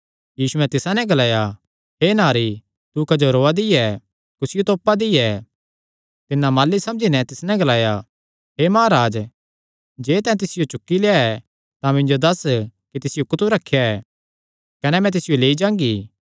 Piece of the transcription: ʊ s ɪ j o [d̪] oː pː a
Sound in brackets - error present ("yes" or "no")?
yes